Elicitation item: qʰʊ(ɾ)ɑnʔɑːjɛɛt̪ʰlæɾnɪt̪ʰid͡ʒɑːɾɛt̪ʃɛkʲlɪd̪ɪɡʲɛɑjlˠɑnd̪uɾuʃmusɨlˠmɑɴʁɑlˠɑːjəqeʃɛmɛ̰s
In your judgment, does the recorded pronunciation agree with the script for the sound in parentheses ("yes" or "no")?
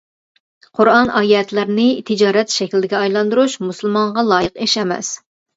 yes